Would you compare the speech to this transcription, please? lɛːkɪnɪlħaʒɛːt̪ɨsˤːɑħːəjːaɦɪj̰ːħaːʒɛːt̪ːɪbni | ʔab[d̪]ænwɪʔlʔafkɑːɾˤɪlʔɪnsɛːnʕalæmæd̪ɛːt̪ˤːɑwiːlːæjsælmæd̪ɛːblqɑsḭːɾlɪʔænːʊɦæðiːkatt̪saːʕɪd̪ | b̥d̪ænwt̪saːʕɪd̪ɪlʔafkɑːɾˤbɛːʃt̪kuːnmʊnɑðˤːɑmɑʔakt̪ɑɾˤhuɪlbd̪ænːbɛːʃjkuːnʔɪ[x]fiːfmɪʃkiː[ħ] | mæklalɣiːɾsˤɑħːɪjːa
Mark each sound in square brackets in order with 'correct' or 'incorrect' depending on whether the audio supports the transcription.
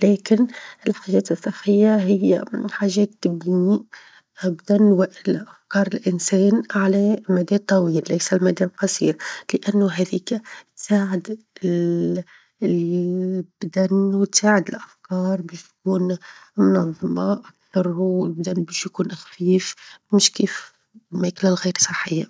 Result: correct, correct, incorrect: f

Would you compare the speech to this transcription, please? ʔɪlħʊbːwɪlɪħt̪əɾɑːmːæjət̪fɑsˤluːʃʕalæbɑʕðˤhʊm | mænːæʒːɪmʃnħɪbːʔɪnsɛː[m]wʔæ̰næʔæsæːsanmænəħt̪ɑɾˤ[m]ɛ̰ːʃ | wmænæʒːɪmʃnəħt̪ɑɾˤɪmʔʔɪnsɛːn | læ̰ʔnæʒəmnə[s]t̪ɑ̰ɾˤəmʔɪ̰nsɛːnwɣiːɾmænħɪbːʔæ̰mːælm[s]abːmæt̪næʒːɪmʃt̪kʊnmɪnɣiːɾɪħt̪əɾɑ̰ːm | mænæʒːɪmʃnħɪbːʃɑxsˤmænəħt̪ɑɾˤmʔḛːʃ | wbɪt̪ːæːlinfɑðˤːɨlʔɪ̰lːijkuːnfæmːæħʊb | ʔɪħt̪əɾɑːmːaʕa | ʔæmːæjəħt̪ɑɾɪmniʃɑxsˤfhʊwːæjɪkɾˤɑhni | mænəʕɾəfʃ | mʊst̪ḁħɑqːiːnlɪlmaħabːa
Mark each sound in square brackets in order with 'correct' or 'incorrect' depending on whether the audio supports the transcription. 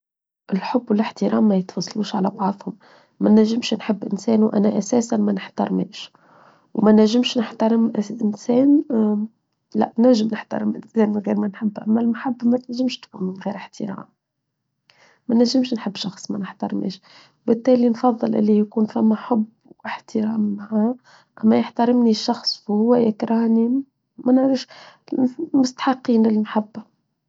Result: incorrect: n, correct, incorrect: ħ, incorrect: ħ

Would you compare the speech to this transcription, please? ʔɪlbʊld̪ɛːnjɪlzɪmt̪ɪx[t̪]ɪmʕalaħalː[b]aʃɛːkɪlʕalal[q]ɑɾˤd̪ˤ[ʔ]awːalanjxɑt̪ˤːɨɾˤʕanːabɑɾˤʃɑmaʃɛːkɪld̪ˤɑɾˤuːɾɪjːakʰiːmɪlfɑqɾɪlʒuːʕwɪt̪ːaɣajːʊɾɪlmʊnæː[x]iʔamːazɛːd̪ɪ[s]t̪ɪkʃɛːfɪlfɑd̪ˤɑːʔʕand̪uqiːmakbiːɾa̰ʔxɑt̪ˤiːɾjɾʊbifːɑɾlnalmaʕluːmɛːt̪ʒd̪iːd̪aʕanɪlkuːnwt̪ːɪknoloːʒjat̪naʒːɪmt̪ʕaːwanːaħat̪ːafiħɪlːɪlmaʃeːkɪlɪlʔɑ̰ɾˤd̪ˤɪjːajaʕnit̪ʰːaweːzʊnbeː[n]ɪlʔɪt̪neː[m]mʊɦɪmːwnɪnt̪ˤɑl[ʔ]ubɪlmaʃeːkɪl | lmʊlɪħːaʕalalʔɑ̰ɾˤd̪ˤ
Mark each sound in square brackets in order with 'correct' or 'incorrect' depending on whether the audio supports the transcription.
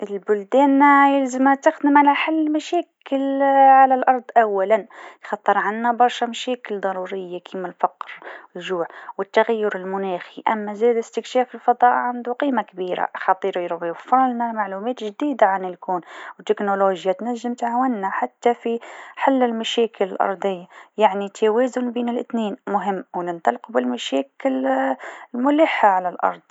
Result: incorrect: d̪, incorrect: m, incorrect: ʔ, correct, correct, correct, correct, incorrect: n, incorrect: q

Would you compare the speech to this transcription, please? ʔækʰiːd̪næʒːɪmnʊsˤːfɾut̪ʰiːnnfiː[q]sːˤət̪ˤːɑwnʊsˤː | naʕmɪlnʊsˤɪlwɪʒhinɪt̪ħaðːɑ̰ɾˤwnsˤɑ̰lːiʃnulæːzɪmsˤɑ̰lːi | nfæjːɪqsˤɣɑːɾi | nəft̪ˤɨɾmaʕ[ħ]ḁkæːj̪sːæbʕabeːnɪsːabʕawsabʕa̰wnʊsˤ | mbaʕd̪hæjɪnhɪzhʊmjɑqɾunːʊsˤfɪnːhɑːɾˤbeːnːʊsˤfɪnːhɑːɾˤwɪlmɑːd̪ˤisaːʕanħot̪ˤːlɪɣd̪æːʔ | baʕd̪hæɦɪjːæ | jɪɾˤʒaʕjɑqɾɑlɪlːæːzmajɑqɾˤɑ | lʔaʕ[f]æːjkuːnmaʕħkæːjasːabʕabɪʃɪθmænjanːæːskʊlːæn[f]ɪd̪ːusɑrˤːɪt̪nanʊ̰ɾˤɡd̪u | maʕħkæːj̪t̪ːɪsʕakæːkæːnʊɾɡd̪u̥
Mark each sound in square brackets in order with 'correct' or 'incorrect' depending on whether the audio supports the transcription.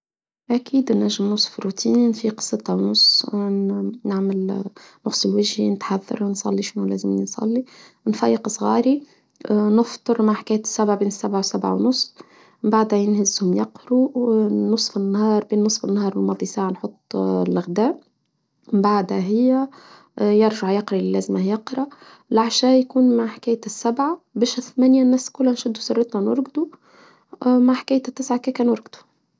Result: correct, correct, incorrect: ʃ, incorrect: ʃ

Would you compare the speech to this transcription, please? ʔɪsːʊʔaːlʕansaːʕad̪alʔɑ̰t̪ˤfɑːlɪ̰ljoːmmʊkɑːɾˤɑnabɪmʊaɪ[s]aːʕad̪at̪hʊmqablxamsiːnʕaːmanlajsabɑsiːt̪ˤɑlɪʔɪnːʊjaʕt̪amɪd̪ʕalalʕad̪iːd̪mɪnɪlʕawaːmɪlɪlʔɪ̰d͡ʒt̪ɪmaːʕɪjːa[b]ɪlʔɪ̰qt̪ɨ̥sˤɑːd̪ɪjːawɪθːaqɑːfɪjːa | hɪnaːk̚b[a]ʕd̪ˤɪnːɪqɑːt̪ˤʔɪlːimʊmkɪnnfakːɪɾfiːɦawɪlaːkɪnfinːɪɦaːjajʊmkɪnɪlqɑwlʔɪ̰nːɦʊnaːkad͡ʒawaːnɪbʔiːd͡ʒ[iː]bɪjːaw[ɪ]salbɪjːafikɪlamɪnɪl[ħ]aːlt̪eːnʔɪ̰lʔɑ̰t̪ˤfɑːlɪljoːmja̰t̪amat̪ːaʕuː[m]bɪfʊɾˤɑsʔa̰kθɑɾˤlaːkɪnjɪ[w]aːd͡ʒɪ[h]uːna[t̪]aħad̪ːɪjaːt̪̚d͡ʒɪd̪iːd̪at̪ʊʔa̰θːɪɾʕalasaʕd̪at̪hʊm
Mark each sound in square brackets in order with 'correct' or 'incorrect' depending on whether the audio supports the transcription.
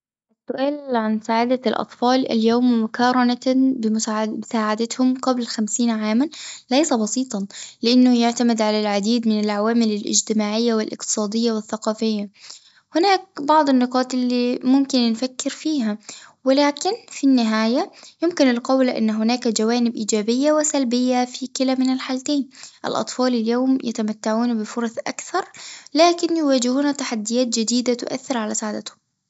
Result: correct, incorrect: w, incorrect: ɑ, incorrect: aː, correct, correct, incorrect: n, correct, correct, correct

